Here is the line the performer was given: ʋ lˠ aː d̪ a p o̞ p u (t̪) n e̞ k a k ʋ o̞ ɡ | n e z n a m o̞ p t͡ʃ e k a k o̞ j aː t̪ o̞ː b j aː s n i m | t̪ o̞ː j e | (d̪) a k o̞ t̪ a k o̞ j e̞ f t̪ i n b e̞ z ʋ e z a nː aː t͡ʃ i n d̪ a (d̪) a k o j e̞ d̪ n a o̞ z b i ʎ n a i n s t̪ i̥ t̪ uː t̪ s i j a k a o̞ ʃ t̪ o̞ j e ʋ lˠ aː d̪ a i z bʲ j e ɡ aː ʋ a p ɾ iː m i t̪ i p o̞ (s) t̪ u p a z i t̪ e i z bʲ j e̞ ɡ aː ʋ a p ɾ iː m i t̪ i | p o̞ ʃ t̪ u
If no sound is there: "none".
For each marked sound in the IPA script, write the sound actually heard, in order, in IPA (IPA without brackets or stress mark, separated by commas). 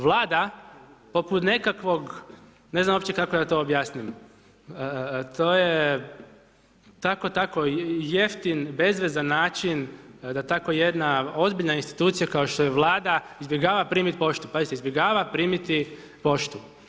t̪, t̪, t̪, ʃ